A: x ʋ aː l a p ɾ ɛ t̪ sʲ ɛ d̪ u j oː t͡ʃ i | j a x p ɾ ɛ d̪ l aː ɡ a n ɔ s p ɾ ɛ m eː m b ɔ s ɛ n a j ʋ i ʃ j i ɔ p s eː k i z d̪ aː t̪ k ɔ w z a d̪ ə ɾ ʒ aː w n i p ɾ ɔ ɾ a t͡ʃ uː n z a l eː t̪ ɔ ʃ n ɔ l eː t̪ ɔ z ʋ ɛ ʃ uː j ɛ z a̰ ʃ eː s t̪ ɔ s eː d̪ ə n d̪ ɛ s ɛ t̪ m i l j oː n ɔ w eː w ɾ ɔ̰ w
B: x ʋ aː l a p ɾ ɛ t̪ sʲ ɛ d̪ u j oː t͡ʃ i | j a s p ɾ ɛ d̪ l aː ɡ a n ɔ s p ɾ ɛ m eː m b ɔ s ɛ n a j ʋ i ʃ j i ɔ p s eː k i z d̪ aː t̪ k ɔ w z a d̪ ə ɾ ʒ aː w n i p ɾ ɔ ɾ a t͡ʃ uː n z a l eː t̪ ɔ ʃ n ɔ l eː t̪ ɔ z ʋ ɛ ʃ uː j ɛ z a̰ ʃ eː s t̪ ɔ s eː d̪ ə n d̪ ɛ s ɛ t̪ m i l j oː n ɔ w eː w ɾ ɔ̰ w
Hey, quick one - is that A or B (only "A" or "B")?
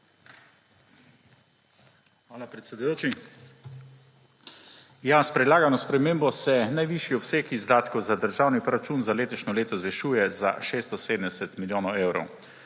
B